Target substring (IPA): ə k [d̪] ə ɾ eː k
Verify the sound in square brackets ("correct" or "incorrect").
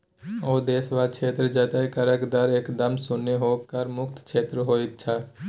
correct